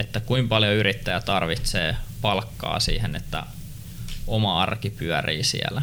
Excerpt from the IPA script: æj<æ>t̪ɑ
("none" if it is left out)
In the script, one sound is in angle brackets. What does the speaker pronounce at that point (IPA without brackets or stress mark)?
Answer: æ